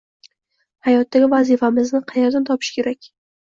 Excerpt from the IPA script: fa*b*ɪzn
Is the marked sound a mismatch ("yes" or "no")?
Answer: yes